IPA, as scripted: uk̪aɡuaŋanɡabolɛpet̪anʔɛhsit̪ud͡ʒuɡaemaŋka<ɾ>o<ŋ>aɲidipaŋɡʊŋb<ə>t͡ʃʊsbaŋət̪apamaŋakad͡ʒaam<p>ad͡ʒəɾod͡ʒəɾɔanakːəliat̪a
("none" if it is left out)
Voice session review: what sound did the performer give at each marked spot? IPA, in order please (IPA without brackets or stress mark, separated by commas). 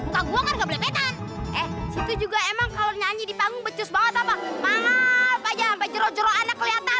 l, ɲ, ə, p